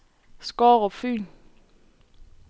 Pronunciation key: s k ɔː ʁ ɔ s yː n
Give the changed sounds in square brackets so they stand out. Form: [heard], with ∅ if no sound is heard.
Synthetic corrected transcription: s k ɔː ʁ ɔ [f] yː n